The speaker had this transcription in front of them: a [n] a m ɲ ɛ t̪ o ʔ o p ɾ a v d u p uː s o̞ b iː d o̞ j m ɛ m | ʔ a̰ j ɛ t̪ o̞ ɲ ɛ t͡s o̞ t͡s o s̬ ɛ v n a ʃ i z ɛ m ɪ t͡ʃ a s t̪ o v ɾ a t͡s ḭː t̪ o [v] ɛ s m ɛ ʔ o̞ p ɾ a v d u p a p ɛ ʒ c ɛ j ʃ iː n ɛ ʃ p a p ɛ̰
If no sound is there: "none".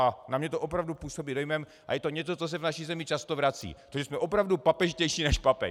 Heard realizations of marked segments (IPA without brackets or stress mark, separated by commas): n, ʒ